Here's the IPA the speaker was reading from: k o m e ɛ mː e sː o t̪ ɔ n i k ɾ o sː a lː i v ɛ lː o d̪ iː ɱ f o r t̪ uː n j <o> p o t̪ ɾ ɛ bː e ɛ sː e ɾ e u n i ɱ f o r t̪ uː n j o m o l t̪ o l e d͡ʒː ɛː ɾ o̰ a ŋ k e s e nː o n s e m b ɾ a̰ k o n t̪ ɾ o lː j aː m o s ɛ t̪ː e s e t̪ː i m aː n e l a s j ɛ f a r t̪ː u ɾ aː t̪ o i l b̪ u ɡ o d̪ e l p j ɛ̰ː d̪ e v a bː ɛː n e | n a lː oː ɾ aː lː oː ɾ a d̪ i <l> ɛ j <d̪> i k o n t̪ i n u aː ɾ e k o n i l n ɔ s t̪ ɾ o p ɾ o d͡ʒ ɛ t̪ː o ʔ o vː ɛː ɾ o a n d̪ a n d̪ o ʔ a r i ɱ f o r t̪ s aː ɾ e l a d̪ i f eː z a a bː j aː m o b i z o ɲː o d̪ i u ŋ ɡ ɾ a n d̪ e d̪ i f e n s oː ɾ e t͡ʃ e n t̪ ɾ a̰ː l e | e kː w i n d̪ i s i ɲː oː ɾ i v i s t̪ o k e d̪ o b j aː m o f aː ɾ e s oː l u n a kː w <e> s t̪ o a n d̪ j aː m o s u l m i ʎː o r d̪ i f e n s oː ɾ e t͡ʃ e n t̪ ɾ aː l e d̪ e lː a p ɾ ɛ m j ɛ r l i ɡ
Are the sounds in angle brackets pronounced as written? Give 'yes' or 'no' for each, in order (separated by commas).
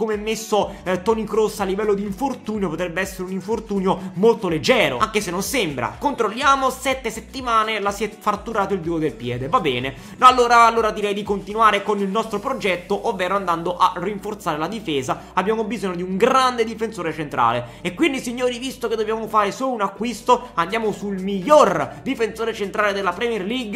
yes, no, yes, no